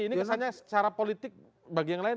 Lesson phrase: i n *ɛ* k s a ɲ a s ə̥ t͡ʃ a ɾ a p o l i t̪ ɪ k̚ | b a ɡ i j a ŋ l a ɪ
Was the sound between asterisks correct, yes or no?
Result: no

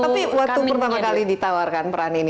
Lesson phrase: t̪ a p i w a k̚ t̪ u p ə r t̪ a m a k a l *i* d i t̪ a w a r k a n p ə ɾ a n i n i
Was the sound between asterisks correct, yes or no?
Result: yes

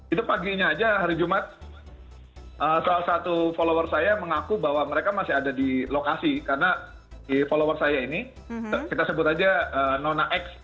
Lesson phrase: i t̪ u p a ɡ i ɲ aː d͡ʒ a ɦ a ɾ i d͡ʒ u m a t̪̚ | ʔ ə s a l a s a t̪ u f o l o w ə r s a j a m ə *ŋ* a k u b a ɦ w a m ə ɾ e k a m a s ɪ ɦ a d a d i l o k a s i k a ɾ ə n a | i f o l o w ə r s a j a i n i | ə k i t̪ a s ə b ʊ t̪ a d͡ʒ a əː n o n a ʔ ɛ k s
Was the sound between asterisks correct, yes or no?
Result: yes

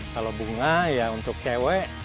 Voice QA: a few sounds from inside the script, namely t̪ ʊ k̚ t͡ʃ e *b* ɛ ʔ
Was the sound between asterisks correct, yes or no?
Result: no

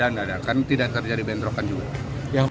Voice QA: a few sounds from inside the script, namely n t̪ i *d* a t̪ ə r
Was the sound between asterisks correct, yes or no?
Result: yes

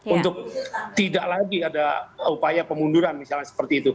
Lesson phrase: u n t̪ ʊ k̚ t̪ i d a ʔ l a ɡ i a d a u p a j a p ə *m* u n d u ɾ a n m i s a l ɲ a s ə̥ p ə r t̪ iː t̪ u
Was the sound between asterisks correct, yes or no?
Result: yes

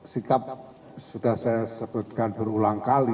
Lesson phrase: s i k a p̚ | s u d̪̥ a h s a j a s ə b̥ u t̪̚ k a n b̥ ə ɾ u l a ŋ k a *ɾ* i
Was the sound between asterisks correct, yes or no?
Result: no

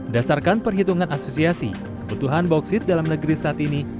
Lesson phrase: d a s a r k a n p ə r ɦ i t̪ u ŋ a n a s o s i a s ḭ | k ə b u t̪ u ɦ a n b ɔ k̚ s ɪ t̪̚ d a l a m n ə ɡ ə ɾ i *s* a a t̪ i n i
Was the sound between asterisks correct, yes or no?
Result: yes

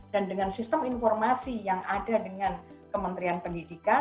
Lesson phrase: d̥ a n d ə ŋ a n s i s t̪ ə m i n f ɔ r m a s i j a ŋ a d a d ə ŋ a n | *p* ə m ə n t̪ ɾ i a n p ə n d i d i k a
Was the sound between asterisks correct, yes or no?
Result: no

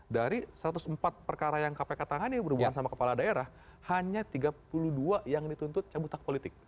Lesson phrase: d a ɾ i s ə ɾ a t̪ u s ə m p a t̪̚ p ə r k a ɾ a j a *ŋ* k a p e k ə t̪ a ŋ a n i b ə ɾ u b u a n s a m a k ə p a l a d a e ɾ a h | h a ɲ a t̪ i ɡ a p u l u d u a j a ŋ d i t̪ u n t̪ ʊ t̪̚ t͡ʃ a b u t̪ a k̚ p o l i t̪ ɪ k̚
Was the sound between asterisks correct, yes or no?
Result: yes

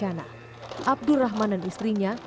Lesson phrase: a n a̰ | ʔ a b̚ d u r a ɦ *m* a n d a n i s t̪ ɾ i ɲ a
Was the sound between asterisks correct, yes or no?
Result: yes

